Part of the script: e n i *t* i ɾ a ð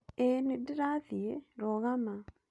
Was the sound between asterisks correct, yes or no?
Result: no